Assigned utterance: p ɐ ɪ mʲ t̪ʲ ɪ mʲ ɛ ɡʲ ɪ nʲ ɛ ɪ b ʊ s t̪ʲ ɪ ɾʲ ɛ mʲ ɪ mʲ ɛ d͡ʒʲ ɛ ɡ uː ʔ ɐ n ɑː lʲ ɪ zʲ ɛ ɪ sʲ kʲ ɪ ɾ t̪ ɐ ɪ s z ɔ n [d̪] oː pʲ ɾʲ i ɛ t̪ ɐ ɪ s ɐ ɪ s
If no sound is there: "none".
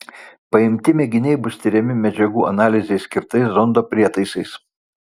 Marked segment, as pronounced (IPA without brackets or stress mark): d̪